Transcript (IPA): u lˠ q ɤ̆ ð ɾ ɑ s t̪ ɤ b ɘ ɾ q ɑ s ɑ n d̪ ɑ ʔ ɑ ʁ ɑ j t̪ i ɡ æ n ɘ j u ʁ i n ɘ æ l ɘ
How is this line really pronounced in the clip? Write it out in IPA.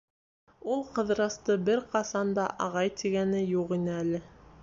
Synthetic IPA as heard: u lˠ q ɤ̆ ð ɾ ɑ s t̪ ɤ b ɘ ɾ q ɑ s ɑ n d̪ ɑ ʔ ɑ ʁ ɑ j t̪ i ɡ æ n ɘ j u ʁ i n ɘ æ l ɘ